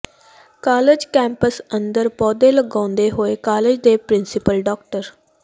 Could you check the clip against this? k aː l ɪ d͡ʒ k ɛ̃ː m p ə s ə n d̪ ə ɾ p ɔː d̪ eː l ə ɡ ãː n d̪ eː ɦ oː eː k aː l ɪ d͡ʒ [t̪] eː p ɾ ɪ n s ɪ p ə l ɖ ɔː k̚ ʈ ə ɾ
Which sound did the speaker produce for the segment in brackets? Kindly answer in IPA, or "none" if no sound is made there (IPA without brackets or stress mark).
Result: d̪